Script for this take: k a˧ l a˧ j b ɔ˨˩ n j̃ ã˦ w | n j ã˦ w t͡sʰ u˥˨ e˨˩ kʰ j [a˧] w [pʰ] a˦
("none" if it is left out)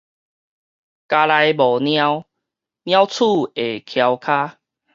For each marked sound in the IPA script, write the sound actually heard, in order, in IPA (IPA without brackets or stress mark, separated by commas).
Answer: a˧, kʰ